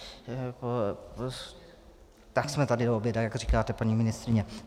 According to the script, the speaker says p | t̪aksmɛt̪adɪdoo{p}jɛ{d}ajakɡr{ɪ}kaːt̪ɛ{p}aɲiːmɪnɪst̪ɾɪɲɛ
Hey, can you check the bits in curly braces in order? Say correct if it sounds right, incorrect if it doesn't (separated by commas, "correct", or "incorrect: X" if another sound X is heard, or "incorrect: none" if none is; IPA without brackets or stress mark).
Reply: incorrect: b, correct, incorrect: i, correct